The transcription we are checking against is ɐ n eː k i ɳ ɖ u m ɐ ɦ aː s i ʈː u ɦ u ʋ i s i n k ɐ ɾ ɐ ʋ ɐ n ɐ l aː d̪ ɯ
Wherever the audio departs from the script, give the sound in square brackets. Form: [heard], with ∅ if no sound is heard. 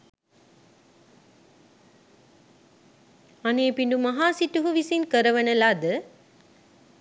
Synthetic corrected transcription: ɐ n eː [p] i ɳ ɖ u m ɐ ɦ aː s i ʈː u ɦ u ʋ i s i n k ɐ ɾ ɐ ʋ ɐ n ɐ l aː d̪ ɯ